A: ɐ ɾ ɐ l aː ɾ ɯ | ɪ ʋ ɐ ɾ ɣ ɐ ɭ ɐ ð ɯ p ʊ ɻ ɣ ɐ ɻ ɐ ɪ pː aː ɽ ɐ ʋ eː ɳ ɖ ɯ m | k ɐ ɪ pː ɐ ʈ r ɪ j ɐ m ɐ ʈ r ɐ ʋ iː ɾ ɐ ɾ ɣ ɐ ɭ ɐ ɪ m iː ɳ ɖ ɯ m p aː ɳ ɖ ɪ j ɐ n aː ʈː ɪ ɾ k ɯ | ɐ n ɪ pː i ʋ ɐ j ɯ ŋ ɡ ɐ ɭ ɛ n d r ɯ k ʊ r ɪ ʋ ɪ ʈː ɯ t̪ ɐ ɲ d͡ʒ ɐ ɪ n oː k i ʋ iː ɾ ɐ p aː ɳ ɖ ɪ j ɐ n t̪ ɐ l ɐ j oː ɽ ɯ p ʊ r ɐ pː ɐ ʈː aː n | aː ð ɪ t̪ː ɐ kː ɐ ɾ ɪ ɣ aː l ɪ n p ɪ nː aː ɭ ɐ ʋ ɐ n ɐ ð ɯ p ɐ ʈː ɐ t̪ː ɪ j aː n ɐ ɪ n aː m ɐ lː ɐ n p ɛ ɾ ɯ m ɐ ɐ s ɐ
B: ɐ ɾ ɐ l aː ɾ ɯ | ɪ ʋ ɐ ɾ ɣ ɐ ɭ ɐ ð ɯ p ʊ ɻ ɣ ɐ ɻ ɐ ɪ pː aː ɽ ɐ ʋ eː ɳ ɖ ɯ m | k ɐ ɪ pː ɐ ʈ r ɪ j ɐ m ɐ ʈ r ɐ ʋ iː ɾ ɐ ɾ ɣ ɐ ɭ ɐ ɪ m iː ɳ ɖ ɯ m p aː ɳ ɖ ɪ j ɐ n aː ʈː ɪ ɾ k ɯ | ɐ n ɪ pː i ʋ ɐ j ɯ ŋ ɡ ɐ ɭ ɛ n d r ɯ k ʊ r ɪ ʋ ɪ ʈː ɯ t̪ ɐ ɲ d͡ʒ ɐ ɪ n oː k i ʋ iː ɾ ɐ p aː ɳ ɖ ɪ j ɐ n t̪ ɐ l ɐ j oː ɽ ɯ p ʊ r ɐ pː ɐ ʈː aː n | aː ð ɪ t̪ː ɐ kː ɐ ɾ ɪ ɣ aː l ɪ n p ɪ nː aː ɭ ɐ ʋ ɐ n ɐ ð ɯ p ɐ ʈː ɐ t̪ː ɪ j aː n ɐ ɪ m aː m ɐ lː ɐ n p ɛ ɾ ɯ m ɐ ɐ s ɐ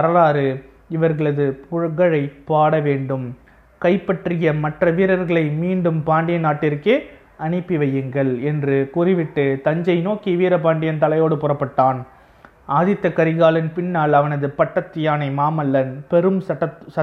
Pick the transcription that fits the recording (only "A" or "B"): B